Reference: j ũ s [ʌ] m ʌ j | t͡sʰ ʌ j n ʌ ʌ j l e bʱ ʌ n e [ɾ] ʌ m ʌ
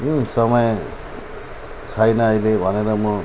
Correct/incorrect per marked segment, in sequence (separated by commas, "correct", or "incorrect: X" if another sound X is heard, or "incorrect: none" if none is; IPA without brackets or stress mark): correct, correct